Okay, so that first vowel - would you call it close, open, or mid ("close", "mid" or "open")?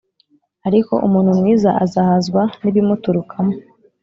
open